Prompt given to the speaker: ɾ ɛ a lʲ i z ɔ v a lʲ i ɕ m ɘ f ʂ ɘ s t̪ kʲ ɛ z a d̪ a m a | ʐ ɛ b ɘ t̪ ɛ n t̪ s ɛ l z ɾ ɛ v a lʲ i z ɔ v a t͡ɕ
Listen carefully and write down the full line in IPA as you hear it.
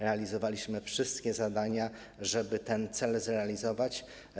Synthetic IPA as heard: ɾ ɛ a lʲ i z ɔ v a lʲ i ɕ m ɘ f ʂ ɘ s t̪ kʲ ɛ z a d̪ a ɲ a | ʐ ɛ b ɘ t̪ ɛ n t̪ s ɛ l z ɾ ɛ a lʲ i z ɔ v a t͡ɕ